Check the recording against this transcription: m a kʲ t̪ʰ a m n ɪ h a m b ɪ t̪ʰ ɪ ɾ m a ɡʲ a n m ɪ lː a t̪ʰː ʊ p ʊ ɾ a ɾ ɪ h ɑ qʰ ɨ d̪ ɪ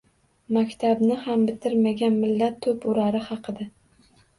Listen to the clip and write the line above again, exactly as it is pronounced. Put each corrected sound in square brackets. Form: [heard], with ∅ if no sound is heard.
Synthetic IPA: m a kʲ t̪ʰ a [b] n ɪ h a m b ɪ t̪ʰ ɪ ɾ m a ɡʲ a n m ɪ lː a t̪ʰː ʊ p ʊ ɾ a ɾ ɪ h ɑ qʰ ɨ d̪ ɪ

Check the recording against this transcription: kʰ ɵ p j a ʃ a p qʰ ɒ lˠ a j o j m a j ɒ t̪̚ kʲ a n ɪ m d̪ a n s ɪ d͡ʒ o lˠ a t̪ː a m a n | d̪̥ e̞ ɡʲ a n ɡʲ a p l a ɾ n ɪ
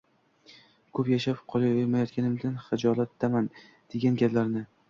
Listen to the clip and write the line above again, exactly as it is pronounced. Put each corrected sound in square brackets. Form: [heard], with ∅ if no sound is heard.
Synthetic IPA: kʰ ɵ p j a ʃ a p qʰ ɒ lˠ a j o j m a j ɒ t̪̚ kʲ a n ɪ m d̪ a n [χ] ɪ d͡ʒ [ɒ] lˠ a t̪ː a m a n | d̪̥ e̞ ɡʲ a n ɡʲ a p l a ɾ n ɪ

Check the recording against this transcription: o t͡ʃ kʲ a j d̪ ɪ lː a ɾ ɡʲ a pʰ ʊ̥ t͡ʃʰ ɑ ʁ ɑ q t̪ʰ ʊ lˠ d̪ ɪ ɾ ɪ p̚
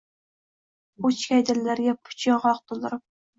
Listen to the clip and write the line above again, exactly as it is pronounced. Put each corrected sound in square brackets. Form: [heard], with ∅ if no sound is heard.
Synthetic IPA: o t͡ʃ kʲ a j d̪ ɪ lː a ɾ ɡʲ a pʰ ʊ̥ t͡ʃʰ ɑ ʁ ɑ q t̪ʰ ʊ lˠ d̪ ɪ ɾ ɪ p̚

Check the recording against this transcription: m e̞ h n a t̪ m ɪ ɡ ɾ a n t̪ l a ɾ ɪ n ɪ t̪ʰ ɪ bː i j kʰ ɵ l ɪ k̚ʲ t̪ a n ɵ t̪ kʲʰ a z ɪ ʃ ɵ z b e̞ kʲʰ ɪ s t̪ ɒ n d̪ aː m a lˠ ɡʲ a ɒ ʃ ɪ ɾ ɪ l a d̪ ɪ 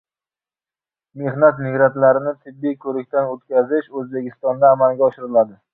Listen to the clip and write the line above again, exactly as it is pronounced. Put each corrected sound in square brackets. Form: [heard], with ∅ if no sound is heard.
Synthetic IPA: m e̞ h n a t̪ m ɪ ɡ ɾ a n t̪ l a ɾ ɪ n ɪ t̪ʰ ɪ bː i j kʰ ɵ [ɾ] ɪ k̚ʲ t̪ a n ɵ t̪ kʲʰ a z ɪ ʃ ɵ z b e̞ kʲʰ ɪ s t̪ ɒ n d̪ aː m a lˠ ɡʲ a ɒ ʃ ɪ ɾ ɪ l a d̪ ɪ

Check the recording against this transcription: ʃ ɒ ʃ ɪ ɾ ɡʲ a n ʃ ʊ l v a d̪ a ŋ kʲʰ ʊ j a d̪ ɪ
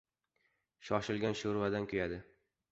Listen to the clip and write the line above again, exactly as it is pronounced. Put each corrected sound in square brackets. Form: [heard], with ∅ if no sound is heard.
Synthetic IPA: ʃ ɒ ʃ ɪ [l] ɡʲ a n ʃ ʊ [ɾ] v a d̪ a [n] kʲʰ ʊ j a d̪ ɪ

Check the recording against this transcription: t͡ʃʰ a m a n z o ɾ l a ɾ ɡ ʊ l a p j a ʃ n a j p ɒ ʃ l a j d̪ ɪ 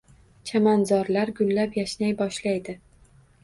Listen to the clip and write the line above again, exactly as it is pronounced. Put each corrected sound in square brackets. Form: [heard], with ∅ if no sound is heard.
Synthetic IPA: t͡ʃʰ a m a n z [ɒ] ɾ l a ɾ ɡ ʊ [lː] a p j a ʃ n a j [b] ɒ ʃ l a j d̪ ɪ

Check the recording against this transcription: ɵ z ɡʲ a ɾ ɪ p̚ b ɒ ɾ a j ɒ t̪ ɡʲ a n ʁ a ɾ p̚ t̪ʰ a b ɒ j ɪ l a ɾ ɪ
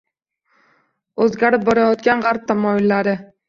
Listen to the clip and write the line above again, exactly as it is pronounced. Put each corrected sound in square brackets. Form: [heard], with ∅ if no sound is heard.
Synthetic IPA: ɵ z ɡʲ a ɾ ɪ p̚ b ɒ ɾ a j ɒ t̪ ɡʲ a n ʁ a ɾ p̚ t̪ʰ a [m] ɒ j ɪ [lː] a ɾ ɪ

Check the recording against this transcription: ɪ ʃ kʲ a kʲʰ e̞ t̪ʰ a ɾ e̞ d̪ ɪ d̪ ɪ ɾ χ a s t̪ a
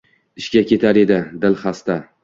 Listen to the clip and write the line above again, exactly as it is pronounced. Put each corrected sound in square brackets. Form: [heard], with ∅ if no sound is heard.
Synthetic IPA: ɪ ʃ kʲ a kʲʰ e̞ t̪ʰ a ɾ e̞ d̪ ɪ d̪ ɪ [l] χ a s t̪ a

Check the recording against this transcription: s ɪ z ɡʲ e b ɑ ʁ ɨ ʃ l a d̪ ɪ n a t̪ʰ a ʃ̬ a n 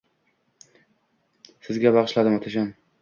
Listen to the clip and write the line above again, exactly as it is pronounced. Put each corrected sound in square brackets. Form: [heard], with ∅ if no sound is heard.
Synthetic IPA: s ɪ z ɡʲ [a] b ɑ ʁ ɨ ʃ l a d̪ ɪ [m] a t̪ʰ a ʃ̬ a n

